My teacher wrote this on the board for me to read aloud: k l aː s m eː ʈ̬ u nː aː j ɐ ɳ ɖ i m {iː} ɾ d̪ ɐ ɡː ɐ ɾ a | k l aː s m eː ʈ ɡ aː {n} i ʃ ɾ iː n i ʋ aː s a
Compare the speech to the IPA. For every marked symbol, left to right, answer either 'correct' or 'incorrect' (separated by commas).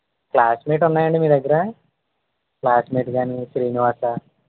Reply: correct, correct